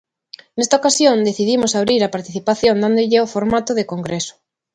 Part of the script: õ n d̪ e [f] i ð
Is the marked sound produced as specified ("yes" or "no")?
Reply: no